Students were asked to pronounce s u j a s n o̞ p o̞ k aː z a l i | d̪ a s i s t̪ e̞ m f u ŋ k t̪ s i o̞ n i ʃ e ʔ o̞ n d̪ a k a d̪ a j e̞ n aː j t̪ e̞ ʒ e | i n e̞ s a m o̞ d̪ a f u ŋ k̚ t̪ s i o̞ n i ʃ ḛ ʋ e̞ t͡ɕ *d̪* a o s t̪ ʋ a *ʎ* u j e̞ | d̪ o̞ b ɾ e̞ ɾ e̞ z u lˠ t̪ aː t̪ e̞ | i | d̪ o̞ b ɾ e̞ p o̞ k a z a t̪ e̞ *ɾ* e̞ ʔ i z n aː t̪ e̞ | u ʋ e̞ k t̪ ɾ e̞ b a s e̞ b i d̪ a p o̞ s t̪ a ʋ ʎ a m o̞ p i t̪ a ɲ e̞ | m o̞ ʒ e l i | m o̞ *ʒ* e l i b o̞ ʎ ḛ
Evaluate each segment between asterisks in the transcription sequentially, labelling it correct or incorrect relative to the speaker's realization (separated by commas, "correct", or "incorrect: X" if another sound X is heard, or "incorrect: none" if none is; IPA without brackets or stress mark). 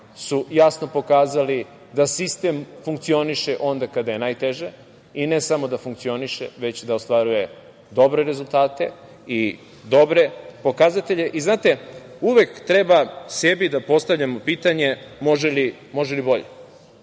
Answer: correct, incorrect: ɾ, incorrect: ʎ, correct